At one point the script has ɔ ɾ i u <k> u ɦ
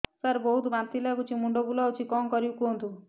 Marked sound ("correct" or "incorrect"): correct